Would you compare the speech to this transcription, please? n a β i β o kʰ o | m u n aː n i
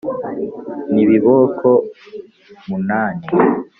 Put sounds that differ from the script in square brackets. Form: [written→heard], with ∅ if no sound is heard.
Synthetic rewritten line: n [a→i] β i β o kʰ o | m u n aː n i